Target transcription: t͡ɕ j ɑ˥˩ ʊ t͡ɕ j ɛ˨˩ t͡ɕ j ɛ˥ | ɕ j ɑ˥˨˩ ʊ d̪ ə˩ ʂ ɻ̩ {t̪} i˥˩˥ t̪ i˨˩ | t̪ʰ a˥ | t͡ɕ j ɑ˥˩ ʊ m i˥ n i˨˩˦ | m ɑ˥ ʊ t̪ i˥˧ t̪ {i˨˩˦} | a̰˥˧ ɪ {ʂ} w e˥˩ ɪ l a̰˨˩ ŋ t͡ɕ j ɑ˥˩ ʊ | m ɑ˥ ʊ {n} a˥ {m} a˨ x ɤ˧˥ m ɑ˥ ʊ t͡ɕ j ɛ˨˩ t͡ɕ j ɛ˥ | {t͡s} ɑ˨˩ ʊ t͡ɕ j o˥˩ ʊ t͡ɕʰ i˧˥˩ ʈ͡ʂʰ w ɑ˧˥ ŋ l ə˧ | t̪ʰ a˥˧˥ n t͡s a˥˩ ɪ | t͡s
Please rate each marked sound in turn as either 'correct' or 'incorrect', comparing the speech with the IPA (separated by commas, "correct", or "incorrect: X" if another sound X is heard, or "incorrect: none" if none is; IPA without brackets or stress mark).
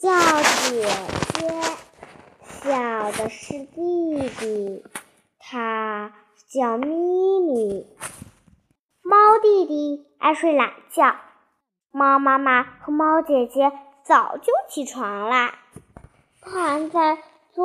correct, incorrect: i˨˩, correct, incorrect: m, correct, correct